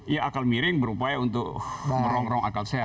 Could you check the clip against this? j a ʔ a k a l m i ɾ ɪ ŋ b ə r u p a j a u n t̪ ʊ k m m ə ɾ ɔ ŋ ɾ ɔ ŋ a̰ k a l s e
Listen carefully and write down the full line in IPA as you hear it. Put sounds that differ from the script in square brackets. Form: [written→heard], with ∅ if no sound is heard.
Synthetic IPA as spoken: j a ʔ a k a l m i ɾ ɪ ŋ b ə [r→ɾ] u p a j a u n t̪ ʊ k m m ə ɾ ɔ ŋ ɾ ɔ ŋ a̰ k a l s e